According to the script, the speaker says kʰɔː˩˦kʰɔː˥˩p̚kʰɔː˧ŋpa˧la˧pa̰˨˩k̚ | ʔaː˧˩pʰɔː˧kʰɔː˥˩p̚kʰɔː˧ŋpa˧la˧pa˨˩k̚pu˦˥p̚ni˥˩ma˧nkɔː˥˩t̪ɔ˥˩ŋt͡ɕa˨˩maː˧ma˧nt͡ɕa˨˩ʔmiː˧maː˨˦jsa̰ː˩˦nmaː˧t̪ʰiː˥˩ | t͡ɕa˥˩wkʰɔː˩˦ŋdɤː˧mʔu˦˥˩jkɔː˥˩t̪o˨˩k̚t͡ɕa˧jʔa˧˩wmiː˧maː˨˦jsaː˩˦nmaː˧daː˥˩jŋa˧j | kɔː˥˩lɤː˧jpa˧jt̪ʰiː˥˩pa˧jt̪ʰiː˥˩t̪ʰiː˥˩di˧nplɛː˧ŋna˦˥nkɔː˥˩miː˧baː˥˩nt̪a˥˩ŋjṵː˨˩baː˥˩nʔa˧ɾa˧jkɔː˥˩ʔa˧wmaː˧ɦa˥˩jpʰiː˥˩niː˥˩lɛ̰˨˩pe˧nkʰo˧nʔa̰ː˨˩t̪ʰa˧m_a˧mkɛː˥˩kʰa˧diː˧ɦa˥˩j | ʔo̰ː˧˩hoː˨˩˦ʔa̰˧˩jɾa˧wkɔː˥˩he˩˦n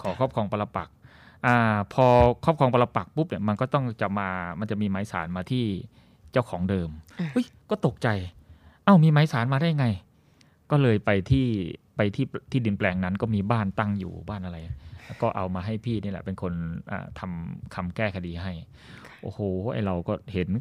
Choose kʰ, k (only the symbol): kʰ